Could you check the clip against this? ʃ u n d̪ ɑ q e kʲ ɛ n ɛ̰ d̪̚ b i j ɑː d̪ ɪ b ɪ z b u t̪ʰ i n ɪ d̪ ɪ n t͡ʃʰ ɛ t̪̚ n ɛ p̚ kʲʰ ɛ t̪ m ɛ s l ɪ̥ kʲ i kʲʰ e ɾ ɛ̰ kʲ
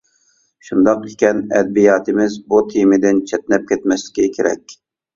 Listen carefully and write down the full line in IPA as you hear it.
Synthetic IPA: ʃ u n d̪ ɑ q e kʲ ɛ n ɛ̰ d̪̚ b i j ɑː t̪ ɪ m ɪ z b u t̪ʰ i m ɪ d̪ ɪ n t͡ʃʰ ɛ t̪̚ n ɛ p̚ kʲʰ ɛ t̪ m ɛ s l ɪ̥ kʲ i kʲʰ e ɾ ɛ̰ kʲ